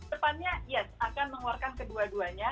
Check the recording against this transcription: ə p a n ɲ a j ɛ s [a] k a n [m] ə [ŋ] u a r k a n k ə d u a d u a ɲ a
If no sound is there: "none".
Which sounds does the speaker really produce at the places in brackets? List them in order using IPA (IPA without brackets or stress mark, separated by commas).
a, m, ŋ